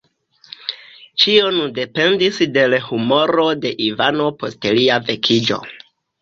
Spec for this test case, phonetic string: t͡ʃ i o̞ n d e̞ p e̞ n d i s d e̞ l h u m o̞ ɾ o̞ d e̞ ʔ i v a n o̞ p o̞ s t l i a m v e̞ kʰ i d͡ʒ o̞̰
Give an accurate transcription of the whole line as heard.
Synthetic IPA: t͡ʃ i o̞ n d e̞ p e̞ n d i s d e̞ l h u m o̞ ɾ o̞ d e̞ ʔ i v a n o̞ p o̞ s t l i a v e̞ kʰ i d͡ʒ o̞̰